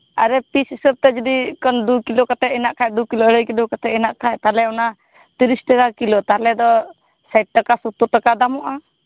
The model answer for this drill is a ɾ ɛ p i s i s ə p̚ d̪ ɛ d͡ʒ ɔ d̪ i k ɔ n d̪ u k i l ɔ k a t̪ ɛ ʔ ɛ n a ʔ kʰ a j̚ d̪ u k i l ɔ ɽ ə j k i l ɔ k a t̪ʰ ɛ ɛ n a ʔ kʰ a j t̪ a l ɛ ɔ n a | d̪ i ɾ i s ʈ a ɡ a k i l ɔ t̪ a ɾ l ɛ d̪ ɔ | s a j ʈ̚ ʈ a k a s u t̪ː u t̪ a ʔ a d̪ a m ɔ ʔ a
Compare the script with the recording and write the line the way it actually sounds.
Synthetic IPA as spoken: a ɾ ɛ p i s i s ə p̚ t̪ ɛ d͡ʒ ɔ d̪ i k ɔ n d̪ u k i l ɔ k a t̪ ɛ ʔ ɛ n a ʔ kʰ a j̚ d̪ u k i l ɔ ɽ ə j k i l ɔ k a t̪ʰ ɛ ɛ n a ʔ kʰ a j t̪ a l ɛ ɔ n a | t̪ i ɾ i s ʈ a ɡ a k i l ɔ t̪ a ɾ l ɛ d̪ ɔ | s a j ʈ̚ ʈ a k a s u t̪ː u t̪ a k a d̪ a m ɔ ʔ a